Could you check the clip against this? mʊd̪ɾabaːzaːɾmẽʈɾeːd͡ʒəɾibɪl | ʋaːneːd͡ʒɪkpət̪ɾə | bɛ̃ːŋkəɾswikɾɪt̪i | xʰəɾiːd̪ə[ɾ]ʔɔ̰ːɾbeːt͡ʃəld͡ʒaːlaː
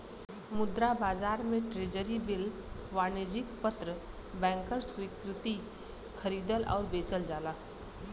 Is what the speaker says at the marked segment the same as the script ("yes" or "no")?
no